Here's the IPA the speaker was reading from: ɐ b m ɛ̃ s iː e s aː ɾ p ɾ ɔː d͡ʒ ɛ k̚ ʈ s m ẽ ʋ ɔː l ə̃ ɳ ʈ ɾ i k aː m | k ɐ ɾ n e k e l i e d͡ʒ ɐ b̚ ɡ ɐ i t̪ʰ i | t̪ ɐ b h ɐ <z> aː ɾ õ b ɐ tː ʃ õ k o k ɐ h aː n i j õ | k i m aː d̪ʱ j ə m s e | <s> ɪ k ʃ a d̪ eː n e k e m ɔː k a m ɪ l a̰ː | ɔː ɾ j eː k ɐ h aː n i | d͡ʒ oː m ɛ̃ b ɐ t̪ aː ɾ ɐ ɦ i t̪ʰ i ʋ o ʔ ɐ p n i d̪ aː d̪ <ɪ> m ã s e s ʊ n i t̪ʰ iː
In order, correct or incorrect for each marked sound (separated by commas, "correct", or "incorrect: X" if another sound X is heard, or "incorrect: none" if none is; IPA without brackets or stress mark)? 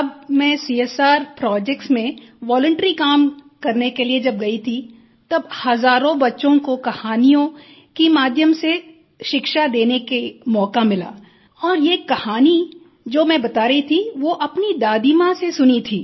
correct, incorrect: ʃ, incorrect: i